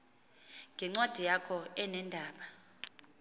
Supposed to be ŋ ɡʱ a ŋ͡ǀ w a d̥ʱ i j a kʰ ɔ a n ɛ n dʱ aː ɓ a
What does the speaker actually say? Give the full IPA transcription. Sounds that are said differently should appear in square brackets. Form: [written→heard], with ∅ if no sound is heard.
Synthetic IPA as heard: ŋ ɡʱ [a→ɛ] ŋ͡ǀ w a d̥ʱ i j a kʰ ɔ [a→ɛ] n ɛ n dʱ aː ɓ a